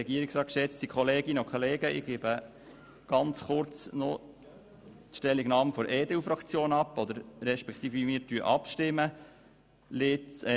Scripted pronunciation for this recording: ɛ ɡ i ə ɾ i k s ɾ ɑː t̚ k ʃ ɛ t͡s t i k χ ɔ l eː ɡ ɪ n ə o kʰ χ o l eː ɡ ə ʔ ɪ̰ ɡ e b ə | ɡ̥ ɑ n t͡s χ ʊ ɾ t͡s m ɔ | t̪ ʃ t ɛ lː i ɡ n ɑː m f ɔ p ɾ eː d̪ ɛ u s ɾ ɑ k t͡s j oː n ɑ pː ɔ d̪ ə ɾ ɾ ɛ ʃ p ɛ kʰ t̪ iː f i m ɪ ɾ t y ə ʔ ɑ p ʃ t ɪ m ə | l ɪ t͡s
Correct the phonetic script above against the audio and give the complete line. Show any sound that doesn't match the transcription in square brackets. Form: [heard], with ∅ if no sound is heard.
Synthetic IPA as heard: ɛ ɡ i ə ɾ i k s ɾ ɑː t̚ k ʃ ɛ t͡s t i k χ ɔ l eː ɡ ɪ n ə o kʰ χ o l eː ɡ ə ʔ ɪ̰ ɡ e b ə | ɡ̥ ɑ n t͡s χ ʊ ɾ t͡s [n] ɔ | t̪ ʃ t ɛ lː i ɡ n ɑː m f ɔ [∅] ɾ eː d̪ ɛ u [f] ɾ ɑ k t͡s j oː n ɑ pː ɔ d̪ ə ɾ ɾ ɛ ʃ p ɛ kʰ t̪ iː f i m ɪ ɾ t y ə ʔ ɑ p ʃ t ɪ m ə | l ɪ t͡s